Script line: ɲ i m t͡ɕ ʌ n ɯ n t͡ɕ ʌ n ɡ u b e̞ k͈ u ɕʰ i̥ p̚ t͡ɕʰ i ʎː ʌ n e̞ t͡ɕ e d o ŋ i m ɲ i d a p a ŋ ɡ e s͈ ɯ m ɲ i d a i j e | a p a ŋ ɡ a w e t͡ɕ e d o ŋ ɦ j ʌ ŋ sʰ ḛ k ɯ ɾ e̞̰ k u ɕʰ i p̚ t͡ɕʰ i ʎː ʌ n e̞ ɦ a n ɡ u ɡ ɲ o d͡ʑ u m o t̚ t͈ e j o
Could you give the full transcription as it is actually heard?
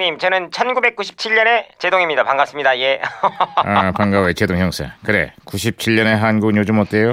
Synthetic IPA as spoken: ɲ i m t͡ɕ ʌ n ɯ n t͡ɕʰ ʌ n ɡ u b e̞ k͈ u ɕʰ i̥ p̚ t͡ɕʰ i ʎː ʌ n e̞ t͡ɕ e d o ŋ i m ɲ i d a p a ŋ ɡ a s͈ ɯ m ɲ i d a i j e | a p a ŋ ɡ a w e t͡ɕ e d o ŋ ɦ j ʌ ŋ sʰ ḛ k ɯ ɾ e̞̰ k u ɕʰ i p̚ t͡ɕʰ i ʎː ʌ n e̞ ɦ a n ɡ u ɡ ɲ o d͡ʑ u m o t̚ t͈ e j o